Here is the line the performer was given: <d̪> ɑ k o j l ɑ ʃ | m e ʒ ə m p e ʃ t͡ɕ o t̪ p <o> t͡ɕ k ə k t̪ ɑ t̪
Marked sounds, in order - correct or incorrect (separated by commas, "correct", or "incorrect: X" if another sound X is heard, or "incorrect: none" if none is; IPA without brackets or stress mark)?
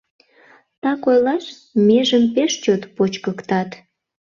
incorrect: t̪, correct